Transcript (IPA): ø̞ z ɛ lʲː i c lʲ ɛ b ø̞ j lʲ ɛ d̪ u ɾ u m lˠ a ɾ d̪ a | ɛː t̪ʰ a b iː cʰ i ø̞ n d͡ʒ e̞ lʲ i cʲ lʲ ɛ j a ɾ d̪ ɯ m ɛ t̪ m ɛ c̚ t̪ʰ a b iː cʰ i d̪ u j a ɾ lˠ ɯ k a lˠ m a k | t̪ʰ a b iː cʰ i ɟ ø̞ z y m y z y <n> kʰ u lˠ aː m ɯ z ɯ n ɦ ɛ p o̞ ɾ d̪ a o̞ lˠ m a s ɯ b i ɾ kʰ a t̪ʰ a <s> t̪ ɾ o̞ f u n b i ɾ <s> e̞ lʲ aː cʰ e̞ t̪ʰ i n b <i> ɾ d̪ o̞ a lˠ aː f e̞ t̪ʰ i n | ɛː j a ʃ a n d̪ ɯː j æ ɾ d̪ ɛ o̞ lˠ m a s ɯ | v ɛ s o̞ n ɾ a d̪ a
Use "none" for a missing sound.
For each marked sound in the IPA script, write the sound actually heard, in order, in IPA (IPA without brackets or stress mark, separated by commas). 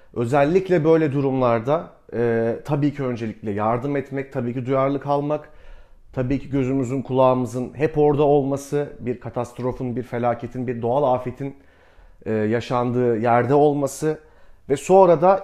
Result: n, s, f, i